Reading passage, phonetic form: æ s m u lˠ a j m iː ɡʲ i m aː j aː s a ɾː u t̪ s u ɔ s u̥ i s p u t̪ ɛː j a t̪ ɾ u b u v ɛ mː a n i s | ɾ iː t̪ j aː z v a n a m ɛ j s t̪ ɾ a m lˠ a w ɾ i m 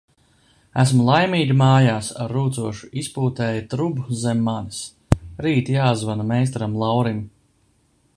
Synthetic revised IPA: æ s m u lˠ a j m iː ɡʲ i m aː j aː s a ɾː uː t̪ s u ɔ ʃ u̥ i s p uː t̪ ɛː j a t̪ ɾ u b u z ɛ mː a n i s | ɾ iː t̪ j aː z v a n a m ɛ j s t̪ ɾ a m lˠ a w ɾ i m